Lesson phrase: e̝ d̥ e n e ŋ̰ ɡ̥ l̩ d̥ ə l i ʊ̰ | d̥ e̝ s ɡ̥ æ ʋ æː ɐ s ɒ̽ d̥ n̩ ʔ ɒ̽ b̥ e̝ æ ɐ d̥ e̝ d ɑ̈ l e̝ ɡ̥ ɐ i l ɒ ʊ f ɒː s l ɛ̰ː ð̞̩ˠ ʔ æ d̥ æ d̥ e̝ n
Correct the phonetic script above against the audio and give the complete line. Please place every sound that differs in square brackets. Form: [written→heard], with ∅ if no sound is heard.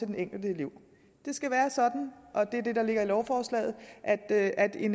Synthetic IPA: e̝ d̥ e n e ŋ̰ ɡ̥ l̩ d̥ ə l i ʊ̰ | d̥ e̝ s ɡ̥ æ ʋ æː ɐ s ɒ̽ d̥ n̩ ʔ ɒ̽ [b̥→d̥] e̝ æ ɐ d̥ e̝ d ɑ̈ l e̝ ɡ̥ ɐ i l ɒ ʊ f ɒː s l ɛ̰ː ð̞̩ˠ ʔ æ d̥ æ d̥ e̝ n